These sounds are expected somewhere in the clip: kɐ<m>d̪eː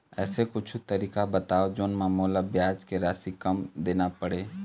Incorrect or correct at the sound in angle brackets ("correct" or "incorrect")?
correct